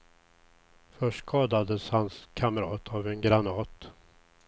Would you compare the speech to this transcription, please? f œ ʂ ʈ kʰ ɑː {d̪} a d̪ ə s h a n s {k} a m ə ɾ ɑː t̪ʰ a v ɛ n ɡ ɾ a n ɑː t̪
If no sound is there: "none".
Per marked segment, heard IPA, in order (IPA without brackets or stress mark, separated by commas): d̪, kʰ